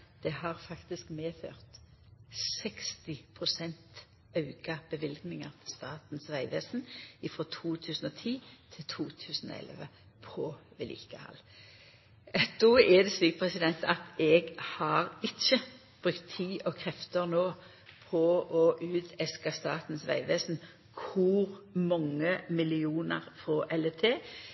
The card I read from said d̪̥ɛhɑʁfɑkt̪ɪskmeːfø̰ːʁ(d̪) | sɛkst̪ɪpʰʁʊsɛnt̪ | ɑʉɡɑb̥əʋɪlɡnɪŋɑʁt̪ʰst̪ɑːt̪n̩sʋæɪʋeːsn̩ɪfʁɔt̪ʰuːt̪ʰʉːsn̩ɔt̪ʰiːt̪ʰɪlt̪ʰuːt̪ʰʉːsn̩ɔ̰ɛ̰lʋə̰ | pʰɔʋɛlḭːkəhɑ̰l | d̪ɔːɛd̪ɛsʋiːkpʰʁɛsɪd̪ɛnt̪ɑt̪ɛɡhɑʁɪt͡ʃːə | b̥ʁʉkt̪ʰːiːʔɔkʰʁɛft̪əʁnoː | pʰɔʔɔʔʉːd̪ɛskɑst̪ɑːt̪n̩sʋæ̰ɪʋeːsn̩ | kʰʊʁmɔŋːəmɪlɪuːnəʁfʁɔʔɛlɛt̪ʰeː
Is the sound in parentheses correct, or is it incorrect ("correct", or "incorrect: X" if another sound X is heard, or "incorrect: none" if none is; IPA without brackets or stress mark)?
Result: incorrect: t̪